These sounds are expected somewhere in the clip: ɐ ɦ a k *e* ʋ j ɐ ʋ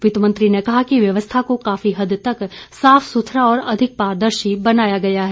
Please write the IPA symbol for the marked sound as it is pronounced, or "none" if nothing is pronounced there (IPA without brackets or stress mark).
i